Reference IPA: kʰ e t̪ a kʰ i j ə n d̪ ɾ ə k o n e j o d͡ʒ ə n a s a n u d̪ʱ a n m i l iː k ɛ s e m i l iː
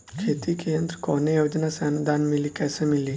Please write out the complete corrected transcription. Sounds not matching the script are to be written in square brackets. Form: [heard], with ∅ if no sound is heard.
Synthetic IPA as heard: kʰ e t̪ [i] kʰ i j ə n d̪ ɾ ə k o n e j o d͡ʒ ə n a s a n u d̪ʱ a n m i l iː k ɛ s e m i l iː

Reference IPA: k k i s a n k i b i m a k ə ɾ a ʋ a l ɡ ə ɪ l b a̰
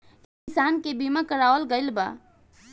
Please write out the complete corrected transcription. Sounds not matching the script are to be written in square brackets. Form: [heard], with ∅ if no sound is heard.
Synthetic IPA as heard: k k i s a n k [e] b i m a k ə ɾ a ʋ [ə] l ɡ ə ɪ l b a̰

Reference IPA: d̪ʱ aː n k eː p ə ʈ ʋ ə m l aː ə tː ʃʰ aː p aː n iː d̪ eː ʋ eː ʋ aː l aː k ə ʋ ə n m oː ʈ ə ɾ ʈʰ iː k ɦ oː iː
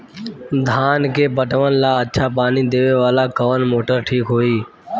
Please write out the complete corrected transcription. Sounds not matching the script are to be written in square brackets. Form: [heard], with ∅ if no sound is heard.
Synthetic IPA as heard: d̪ʱ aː n k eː p ə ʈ ʋ ə [n] l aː ə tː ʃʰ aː p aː n iː d̪ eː ʋ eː ʋ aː l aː k ə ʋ ə n m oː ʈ ə ɾ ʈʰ iː k ɦ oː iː

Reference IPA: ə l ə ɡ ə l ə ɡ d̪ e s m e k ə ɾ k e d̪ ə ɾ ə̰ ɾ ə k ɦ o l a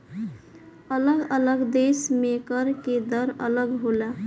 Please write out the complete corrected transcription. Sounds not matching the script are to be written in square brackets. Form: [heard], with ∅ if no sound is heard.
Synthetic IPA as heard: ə l ə ɡ ə l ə ɡ d̪ e s m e k ə ɾ k e d̪ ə ɾ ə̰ [l] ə [ɡ] ɦ o l a

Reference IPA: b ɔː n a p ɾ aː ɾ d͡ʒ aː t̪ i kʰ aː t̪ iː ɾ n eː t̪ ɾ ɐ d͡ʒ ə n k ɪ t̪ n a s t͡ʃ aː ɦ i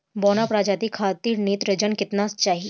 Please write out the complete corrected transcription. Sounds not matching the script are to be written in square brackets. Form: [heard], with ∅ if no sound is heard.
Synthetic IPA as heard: b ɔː n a p ɾ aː [∅] d͡ʒ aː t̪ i kʰ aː t̪ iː ɾ n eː t̪ ɾ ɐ d͡ʒ ə n k ɪ t̪ n a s t͡ʃ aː ɦ i

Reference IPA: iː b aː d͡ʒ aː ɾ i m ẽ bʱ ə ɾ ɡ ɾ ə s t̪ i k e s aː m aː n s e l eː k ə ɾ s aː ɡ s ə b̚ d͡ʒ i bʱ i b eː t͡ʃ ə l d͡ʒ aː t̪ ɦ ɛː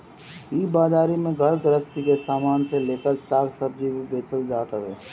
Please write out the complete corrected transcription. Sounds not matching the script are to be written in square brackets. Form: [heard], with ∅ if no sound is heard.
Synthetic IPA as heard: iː b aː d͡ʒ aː ɾ i m ẽ [ɡʱ] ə ɾ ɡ ɾ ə s t̪ i k e s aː m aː n s e l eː k ə ɾ s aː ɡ s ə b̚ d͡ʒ i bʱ i b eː t͡ʃ ə l d͡ʒ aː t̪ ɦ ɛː

